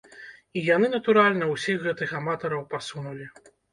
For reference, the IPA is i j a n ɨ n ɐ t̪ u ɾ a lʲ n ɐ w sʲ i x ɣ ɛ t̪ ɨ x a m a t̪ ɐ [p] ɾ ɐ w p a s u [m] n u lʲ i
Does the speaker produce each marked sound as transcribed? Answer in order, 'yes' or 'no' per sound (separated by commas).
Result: no, no